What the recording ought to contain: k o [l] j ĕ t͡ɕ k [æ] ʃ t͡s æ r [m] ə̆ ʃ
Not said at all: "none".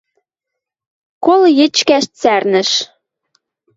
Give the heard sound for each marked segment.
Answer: l, æ, n

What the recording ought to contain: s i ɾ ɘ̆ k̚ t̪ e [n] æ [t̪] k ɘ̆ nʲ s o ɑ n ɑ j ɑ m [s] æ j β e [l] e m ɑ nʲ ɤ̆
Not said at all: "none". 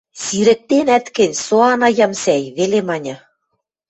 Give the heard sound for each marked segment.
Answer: n, t̪, s, l

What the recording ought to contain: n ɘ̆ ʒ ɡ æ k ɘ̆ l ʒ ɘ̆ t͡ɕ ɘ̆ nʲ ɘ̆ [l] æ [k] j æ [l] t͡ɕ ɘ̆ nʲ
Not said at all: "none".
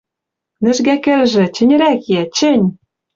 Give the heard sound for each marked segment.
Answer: ɾ, k, none

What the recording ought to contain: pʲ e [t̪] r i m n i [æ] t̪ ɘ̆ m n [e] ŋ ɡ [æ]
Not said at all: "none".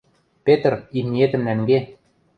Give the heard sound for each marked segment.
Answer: t̪, e, æ, e

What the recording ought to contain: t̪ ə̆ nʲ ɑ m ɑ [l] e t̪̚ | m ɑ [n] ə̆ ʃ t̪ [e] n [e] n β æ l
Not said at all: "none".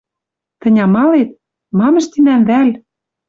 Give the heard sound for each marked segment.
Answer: l, m, i, æ

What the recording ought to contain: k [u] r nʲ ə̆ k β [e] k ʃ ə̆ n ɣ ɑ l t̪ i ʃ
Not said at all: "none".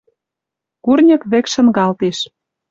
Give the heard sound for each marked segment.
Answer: u, e

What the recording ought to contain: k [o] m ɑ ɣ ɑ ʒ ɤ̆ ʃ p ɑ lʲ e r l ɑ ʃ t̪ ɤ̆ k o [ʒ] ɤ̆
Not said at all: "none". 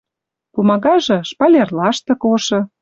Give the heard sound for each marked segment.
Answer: u, ʃ

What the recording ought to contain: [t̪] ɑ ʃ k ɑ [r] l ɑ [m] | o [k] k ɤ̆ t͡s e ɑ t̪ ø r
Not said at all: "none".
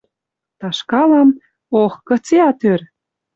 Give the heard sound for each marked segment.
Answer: t̪, none, m, x

